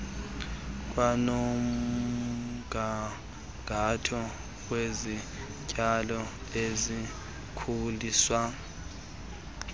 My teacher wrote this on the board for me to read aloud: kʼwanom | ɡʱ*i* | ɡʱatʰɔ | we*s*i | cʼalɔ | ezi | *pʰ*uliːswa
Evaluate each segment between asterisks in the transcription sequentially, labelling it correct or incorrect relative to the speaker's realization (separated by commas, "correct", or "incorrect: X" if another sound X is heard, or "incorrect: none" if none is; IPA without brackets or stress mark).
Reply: incorrect: a, incorrect: z, incorrect: kʰ